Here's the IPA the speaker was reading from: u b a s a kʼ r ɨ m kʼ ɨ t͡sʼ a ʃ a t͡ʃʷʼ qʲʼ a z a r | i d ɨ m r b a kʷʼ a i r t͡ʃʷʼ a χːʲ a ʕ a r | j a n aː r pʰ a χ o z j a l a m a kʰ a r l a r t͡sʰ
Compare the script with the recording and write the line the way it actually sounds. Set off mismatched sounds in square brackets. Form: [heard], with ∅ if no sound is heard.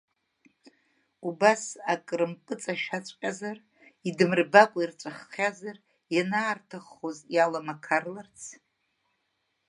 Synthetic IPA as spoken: u b a s a kʼ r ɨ m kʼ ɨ t͡sʼ a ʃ a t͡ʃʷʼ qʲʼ a z a r | i d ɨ m r b a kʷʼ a i r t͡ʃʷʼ a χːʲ a [z] a r | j a n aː r [tʰ] a χ o z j a l a m a kʰ a r l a r t͡sʰ